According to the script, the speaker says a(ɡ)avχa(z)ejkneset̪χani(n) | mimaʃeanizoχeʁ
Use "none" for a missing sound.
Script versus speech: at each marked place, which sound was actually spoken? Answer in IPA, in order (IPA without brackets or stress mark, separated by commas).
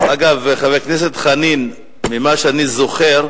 ɡ, v, n